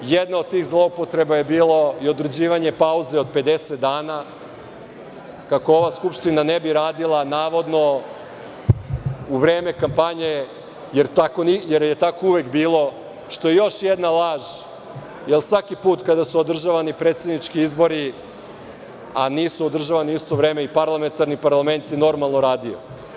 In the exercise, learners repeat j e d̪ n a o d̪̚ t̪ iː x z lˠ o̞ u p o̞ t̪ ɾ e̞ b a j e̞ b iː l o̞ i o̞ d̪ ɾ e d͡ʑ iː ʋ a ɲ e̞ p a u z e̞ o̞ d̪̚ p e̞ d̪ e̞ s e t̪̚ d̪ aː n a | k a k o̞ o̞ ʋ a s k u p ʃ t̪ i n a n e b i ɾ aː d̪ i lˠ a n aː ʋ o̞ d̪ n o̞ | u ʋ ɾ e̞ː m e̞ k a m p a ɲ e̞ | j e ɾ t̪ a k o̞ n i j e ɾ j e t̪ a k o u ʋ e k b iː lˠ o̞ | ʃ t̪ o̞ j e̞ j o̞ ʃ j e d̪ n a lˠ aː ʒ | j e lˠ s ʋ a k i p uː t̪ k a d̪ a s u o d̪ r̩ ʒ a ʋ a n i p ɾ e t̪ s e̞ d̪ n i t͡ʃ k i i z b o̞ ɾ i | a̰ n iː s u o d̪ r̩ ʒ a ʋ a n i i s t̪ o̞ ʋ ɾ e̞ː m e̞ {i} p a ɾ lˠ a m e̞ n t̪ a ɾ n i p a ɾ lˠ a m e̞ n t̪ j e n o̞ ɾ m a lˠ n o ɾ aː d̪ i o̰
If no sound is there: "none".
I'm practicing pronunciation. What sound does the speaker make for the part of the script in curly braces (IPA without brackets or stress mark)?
i